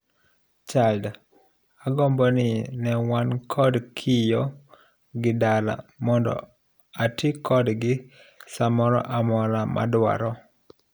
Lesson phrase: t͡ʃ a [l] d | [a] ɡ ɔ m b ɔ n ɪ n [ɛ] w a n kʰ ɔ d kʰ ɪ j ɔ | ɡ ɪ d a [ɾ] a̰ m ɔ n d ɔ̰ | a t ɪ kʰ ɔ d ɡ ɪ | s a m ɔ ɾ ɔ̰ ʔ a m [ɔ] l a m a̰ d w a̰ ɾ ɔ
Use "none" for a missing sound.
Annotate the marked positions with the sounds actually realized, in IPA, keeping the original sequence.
l, a, ɛ, l, ɔ

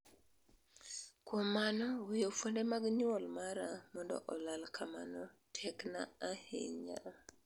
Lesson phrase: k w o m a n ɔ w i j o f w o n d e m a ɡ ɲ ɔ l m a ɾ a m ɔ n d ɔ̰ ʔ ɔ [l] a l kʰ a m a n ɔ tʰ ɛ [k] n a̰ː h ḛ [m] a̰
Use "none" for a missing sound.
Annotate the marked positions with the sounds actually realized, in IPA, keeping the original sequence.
l, k, ɲ

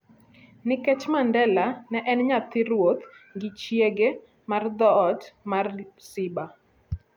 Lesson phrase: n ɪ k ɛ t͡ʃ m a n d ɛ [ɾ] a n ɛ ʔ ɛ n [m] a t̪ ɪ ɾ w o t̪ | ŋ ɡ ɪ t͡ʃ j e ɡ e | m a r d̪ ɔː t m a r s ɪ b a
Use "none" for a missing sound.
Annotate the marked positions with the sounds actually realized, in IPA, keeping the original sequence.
l, ɲ

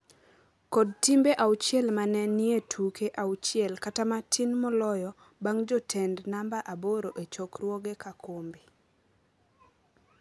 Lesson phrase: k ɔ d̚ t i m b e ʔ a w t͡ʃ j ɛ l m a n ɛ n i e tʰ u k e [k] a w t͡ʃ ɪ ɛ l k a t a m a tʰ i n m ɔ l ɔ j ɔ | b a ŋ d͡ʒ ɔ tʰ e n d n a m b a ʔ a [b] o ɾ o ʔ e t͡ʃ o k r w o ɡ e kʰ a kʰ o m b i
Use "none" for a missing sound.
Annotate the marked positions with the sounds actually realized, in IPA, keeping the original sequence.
ʔ, b

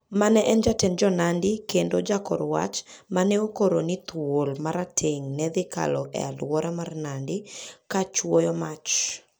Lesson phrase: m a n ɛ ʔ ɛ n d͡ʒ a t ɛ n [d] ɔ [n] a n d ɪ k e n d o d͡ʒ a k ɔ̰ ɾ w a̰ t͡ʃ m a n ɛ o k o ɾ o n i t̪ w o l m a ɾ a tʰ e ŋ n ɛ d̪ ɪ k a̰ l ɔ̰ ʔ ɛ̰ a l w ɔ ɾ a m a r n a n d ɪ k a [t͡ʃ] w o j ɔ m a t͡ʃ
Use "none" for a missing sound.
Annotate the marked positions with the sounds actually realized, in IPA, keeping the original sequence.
d͡ʒ, n, t͡ʃ

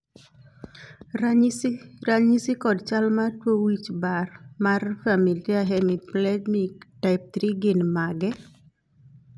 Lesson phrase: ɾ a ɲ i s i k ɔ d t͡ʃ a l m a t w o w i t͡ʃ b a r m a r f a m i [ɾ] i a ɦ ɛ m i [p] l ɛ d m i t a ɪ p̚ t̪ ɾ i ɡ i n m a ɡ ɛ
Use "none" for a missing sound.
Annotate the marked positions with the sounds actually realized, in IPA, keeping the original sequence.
l, p

